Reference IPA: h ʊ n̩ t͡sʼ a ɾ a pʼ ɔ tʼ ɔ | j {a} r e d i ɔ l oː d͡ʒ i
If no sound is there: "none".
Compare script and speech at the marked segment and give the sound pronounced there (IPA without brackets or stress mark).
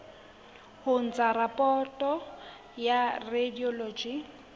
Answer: a